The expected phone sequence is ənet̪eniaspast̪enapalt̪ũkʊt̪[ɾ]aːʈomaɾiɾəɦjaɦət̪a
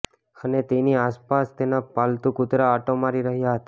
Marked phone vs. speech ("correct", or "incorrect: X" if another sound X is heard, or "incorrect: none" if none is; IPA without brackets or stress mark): correct